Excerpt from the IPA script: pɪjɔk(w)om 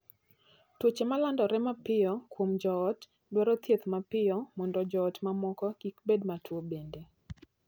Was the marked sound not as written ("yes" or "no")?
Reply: no